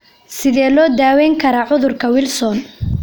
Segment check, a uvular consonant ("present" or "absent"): absent